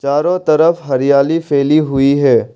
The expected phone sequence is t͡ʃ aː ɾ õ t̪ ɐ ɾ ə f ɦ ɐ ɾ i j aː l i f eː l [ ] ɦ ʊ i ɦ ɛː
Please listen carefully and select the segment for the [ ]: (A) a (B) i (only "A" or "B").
B